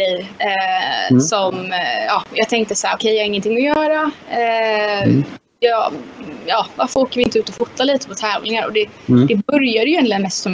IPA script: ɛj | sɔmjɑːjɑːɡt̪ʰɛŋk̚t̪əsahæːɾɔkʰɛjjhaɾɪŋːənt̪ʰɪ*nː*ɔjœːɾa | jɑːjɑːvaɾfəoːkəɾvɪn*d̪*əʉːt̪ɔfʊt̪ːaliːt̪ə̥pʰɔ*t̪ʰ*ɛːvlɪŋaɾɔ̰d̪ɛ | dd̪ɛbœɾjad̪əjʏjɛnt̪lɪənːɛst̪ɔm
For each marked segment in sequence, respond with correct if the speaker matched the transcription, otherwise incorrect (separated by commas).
incorrect, incorrect, correct